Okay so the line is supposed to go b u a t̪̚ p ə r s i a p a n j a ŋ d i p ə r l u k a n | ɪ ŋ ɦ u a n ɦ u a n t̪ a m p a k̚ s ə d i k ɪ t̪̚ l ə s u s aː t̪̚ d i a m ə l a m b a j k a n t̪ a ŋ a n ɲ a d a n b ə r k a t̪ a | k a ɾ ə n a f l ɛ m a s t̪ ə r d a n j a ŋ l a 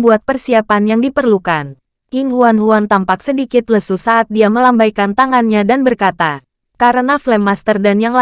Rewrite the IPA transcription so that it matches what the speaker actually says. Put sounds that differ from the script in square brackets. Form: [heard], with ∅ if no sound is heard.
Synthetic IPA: b u a t̪̚ p ə r s i a p a n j a ŋ d i p ə r l u k a n | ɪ ŋ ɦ u a n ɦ u a n t̪ a m p a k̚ s ə d i k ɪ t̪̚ l ə s u s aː t̪̚ d i a m ə l a m b a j k a n t̪ a ŋ a n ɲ a d a n b ə r k a t̪ a | k a ɾ ə n a f l ɛ m a s t̪ ə r d a n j a ŋ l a